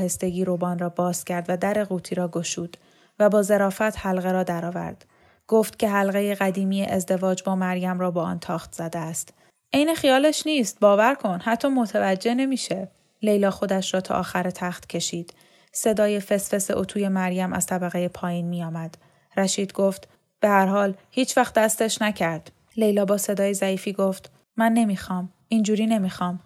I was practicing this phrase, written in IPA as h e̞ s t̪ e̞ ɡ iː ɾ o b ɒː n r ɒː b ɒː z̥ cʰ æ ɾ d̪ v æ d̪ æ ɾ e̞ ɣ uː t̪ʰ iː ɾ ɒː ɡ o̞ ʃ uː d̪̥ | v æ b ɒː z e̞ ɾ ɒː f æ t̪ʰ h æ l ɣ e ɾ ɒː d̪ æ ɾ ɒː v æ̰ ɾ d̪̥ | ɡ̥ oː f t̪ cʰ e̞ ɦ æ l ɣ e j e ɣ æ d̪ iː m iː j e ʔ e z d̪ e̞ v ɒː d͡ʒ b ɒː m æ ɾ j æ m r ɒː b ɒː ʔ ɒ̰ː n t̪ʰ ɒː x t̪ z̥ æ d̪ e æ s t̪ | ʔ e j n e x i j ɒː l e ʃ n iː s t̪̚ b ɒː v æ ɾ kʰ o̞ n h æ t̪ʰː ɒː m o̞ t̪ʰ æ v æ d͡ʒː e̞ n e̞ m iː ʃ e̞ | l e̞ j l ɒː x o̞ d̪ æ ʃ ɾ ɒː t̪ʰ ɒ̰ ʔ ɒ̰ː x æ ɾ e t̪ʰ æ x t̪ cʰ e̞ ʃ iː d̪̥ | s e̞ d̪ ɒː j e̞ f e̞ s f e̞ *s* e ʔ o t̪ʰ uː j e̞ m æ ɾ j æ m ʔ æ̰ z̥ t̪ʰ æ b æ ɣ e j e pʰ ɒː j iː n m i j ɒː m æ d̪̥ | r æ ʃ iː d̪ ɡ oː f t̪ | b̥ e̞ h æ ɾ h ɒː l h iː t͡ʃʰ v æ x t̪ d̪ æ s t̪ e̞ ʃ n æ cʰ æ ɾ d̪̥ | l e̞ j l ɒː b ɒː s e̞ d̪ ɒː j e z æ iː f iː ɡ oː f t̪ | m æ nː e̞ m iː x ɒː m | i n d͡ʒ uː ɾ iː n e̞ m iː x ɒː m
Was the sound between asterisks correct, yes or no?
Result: yes